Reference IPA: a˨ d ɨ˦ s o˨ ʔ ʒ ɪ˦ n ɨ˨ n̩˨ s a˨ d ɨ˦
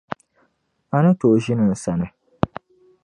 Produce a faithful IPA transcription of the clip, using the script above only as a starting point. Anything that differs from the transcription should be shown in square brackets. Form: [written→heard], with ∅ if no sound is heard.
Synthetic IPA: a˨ [d→n] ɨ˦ [s→t] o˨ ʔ ʒ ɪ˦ n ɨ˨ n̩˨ s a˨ [d→n] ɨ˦